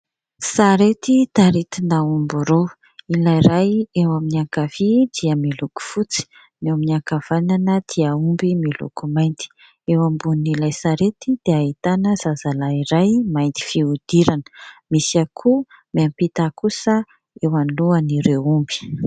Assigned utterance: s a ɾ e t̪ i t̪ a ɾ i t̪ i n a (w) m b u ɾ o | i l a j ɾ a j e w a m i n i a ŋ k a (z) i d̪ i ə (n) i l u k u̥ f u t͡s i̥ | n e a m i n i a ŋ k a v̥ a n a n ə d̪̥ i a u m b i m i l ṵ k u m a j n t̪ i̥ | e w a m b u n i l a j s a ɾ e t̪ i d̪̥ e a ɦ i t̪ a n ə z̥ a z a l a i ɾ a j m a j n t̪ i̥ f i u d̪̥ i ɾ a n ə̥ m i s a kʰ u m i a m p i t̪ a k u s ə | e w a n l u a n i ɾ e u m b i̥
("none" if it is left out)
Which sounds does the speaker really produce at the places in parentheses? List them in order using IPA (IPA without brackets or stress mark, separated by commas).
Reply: u, v, m